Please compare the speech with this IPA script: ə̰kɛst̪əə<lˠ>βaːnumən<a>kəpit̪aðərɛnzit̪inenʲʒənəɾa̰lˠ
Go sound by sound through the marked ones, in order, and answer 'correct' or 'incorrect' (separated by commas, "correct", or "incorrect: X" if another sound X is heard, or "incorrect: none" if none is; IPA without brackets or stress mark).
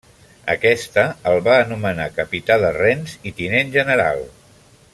correct, correct